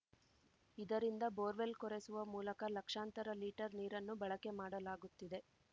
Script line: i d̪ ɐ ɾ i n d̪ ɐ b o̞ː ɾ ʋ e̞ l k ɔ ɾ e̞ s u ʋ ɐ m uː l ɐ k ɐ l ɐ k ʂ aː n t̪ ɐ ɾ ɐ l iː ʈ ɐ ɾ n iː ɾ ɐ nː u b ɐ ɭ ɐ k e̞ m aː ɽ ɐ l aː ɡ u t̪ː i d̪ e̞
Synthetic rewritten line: i d̪ ɐ ɾ i n d̪ ɐ b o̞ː ɾ ʋ e̞ l k ɔ ɾ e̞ s u ʋ ɐ m uː l ɐ k ɐ l ɐ k ʂ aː n t̪ ɐ ɾ ɐ l iː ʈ ɐ ɾ n iː ɾ ɐ nː u b ɐ ɭ ɐ k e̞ m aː ɽ ɐ l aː ɡ u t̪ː i d̪ e̞